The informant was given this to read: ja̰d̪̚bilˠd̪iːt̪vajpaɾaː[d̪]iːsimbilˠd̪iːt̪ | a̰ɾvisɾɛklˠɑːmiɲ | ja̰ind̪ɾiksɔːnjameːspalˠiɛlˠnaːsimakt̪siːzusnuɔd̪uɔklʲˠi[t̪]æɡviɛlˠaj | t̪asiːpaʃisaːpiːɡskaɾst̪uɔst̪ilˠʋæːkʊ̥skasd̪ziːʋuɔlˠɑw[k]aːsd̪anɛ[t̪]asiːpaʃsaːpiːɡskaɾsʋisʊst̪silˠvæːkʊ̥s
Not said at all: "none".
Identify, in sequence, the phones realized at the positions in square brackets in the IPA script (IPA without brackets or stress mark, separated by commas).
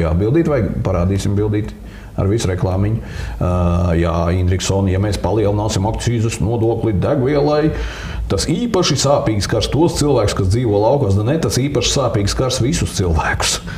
d̪, d̪, k, t̪